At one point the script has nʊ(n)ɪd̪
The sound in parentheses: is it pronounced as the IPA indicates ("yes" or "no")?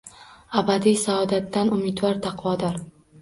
no